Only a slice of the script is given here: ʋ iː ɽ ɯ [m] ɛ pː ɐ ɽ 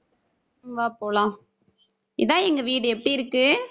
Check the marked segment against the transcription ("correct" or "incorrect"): incorrect